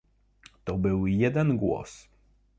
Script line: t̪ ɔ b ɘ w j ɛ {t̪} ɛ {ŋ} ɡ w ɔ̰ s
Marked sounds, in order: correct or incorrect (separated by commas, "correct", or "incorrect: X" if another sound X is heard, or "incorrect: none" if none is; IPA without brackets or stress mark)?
incorrect: d̪, incorrect: n